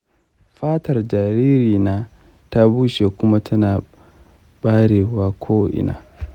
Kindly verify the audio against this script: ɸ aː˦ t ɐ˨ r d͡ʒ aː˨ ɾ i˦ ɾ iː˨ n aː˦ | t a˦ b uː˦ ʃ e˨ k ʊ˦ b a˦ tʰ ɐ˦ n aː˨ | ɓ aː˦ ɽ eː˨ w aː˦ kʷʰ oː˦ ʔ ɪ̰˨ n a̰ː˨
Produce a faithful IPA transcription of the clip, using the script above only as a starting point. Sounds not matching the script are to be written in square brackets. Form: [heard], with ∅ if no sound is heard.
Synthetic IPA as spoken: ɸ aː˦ t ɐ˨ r d͡ʒ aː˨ ɾ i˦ ɾ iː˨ n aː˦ | t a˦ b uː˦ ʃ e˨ k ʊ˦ [m] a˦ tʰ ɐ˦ n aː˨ | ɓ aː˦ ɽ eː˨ w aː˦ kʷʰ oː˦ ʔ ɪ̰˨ n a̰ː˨

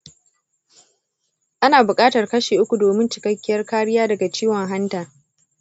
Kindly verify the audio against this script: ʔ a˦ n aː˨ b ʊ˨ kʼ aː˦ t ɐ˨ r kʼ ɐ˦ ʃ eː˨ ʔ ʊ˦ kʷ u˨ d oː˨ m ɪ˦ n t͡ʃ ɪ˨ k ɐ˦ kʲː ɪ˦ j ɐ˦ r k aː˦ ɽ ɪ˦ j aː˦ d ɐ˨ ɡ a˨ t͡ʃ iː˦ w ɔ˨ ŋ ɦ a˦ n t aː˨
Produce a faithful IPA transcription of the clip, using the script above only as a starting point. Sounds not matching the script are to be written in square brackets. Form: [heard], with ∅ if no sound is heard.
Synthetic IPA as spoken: ʔ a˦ n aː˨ b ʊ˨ kʼ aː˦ t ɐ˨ r [k] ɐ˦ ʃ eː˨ ʔ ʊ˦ kʷ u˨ d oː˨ m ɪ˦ n t͡ʃ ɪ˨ k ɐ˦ kʲː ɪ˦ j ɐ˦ r k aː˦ ɽ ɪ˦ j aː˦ d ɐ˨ ɡ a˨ t͡ʃ iː˦ w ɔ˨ ŋ ɦ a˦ n t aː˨

